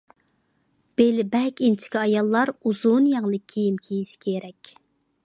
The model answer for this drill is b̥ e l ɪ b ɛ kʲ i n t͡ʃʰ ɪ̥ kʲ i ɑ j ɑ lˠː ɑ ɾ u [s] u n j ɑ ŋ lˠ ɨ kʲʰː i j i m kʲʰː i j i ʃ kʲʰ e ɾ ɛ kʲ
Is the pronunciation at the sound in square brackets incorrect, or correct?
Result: incorrect: z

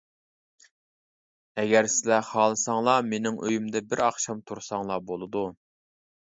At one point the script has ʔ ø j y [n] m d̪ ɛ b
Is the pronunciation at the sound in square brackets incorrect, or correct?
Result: incorrect: none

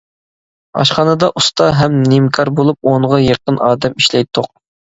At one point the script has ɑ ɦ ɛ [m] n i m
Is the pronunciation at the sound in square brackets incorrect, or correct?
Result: correct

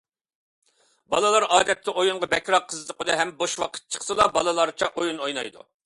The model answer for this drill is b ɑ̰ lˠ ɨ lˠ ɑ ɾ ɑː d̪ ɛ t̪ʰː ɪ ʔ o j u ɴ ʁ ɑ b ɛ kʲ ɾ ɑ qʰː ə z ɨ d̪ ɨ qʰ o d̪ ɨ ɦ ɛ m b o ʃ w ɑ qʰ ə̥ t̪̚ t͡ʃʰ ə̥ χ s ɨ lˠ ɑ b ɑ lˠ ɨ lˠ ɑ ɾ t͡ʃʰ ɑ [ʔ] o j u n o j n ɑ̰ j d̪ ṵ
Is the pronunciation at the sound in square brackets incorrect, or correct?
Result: correct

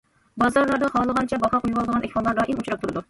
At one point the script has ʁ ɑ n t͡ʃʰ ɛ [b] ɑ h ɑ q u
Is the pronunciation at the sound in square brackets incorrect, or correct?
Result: correct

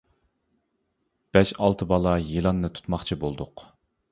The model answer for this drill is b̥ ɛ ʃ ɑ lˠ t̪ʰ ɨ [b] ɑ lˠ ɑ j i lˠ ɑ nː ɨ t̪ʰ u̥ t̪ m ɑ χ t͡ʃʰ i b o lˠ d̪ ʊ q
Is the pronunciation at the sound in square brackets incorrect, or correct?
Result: correct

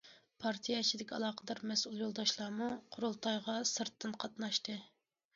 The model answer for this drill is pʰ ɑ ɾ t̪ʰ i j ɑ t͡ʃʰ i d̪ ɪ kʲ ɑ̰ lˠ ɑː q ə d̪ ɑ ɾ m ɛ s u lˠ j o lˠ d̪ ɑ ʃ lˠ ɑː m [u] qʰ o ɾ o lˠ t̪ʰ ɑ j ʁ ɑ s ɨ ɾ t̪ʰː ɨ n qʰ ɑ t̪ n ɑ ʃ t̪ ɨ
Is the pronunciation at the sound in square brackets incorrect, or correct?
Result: correct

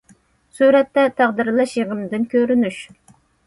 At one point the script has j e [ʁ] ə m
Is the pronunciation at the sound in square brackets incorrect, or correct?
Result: correct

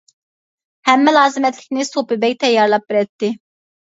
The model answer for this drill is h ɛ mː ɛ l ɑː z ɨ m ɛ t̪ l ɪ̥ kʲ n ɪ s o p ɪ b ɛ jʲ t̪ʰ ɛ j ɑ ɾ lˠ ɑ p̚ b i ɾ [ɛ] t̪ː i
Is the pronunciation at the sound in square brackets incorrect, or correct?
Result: correct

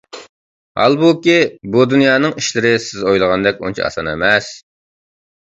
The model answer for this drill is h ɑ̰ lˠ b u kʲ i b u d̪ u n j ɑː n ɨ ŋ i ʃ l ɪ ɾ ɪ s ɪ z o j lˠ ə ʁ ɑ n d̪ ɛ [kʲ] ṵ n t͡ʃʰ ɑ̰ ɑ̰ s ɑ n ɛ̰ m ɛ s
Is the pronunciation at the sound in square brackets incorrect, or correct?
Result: correct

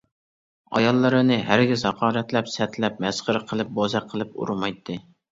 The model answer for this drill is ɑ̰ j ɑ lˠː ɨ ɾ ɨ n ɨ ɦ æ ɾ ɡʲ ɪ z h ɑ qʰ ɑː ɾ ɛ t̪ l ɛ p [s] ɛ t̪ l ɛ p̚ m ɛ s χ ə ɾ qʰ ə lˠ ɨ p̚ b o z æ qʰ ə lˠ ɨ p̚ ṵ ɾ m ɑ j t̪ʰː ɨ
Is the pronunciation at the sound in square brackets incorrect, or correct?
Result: correct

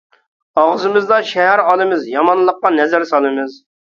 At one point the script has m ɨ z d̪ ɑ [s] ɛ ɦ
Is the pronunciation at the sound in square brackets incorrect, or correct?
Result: incorrect: ʃ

